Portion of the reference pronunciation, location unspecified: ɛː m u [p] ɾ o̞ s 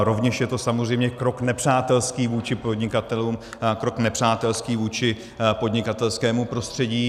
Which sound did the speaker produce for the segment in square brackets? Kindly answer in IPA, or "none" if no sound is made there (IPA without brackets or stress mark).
p